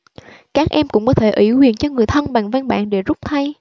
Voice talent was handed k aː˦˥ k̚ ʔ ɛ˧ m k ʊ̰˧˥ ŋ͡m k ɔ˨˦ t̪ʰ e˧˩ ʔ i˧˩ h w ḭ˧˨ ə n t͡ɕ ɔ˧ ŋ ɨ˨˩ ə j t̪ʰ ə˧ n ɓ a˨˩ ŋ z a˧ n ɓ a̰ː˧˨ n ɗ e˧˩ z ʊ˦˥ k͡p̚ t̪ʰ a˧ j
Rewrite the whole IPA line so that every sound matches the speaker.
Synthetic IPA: k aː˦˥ k̚ ʔ ɛ˧ m k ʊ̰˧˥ ŋ͡m k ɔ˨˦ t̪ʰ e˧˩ ʔ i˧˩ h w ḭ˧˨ ə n t͡ɕ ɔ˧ ŋ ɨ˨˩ ə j t̪ʰ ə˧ n ɓ a˨˩ ŋ v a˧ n ɓ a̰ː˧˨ n ɗ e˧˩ z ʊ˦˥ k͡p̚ t̪ʰ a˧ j